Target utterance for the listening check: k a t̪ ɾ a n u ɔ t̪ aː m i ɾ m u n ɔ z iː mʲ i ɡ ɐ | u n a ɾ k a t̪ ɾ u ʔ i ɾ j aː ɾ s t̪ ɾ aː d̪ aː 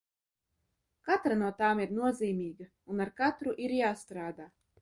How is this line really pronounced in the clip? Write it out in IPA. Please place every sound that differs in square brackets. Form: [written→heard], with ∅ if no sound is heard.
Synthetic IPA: k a t̪ ɾ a n u ɔ t̪ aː m i ɾ [m→n] u [n→∅] ɔ z iː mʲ [i→iː] ɡ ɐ | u n a ɾ k a t̪ ɾ u ʔ i ɾ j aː [ɾ→∅] s t̪ ɾ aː d̪ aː